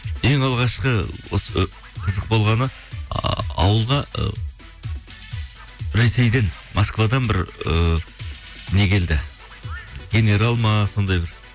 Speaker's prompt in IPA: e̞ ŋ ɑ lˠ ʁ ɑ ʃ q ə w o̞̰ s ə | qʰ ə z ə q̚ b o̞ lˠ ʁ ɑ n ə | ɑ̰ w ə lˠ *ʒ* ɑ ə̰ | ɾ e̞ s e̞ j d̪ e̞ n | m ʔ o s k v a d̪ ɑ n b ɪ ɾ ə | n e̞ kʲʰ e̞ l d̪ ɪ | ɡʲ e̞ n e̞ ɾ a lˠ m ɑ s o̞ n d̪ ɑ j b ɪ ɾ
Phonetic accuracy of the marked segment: incorrect: ʁ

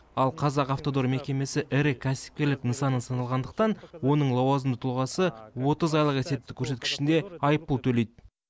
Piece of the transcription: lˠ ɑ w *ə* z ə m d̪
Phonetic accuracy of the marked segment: incorrect: ɑ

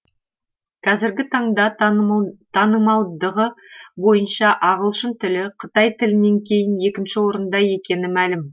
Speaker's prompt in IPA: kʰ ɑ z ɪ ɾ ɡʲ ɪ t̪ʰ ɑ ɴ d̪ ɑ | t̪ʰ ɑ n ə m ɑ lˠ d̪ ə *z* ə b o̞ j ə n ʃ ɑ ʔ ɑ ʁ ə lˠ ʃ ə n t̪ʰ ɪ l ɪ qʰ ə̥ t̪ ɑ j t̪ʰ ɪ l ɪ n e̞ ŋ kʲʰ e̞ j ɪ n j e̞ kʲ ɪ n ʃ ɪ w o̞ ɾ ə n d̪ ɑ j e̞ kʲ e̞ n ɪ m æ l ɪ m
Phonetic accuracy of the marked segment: incorrect: ʁ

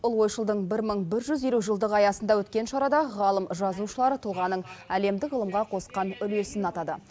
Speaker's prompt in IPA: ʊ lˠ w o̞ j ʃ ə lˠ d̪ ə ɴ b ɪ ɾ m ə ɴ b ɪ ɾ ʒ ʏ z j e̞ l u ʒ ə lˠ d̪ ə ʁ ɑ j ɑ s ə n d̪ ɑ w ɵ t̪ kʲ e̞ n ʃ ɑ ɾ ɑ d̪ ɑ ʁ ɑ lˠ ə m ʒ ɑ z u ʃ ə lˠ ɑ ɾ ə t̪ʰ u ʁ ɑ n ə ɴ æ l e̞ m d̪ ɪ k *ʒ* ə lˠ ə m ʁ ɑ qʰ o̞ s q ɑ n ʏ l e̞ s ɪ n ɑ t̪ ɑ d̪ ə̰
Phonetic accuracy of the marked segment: incorrect: ʁ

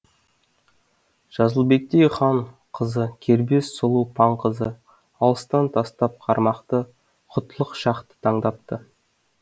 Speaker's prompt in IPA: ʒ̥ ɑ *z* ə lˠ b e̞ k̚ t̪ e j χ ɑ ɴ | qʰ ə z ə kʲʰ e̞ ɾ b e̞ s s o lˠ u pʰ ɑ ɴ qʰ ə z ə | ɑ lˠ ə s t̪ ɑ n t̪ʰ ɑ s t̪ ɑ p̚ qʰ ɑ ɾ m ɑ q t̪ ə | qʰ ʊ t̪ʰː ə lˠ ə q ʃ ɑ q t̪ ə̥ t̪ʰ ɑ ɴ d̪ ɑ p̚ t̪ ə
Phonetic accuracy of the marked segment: correct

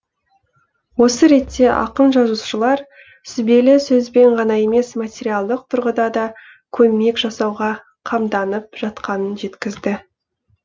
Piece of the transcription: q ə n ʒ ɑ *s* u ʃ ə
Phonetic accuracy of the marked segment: incorrect: z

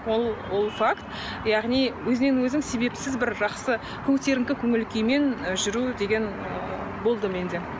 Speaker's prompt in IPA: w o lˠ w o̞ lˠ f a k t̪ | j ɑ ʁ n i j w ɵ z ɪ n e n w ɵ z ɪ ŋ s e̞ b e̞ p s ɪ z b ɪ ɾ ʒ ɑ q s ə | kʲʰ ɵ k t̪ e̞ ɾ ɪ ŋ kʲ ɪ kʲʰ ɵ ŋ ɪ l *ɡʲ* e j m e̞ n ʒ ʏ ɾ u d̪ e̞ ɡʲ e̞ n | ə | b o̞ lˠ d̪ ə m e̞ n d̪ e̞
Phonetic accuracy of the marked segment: incorrect: kʲ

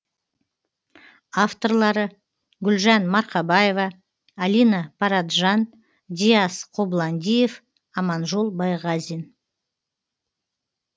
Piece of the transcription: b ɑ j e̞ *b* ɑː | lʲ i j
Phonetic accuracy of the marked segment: incorrect: v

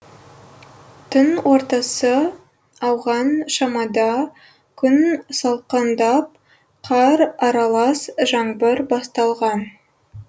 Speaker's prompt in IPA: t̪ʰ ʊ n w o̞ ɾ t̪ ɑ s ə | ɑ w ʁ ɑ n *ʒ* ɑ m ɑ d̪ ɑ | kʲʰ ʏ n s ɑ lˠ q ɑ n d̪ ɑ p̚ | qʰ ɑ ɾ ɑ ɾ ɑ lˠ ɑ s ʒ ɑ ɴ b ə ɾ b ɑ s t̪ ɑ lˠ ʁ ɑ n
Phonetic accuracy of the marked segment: incorrect: ʃ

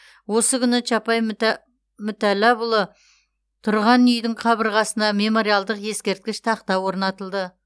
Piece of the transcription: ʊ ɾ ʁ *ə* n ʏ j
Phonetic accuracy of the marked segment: incorrect: ɑ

